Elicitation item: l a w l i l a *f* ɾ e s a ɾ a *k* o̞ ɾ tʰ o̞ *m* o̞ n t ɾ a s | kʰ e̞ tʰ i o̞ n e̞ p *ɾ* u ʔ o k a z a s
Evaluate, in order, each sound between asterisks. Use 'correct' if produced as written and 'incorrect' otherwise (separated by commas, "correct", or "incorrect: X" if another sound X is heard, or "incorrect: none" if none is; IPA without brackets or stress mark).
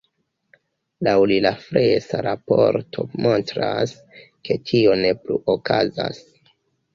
correct, incorrect: p, correct, incorrect: l